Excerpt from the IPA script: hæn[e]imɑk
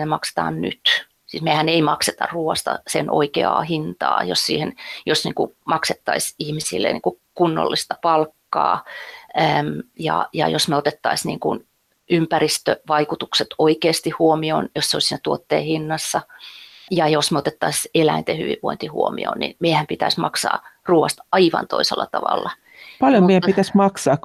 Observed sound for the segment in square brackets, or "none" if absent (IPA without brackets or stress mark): e